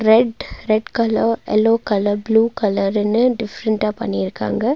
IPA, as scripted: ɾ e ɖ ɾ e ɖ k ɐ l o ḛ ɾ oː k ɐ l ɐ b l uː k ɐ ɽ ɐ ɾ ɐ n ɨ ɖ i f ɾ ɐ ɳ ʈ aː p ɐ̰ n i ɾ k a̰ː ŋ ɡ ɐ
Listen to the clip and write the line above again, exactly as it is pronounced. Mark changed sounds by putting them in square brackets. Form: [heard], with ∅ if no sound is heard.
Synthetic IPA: ɾ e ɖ ɾ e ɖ k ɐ l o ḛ [l] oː k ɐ l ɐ b l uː k ɐ [l] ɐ ɾ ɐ n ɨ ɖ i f ɾ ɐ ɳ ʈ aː p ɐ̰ n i ɾ k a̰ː ŋ ɡ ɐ